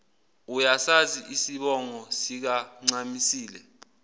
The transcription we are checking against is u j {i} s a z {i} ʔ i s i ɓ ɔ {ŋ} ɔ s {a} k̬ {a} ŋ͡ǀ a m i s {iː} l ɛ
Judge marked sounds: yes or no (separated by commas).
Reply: no, yes, yes, no, yes, yes